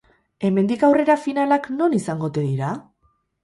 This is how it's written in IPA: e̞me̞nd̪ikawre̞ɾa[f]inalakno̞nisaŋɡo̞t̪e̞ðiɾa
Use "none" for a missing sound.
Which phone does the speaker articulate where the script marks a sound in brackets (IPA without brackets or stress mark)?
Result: f